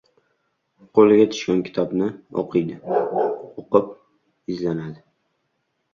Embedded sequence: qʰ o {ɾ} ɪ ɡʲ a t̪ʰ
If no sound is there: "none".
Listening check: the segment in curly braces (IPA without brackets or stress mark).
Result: l